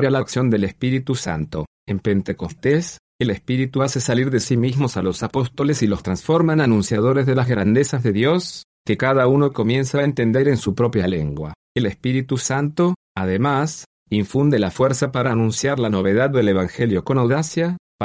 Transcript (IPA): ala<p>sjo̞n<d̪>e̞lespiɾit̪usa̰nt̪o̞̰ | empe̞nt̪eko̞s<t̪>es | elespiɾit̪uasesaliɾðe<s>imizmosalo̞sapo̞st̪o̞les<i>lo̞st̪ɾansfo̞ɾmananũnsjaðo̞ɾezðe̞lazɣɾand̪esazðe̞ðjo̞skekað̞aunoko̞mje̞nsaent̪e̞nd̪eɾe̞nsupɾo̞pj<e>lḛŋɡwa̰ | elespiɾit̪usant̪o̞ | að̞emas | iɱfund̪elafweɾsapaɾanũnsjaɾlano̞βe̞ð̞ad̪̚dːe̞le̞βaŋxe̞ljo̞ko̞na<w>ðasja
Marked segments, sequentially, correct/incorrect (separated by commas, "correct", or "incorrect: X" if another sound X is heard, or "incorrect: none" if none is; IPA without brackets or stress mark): incorrect: k, correct, correct, correct, correct, incorrect: a, correct